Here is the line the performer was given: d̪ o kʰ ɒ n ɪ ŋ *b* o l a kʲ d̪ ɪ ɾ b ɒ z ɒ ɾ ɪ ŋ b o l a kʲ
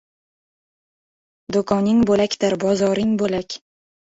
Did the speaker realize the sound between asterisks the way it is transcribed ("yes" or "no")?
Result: yes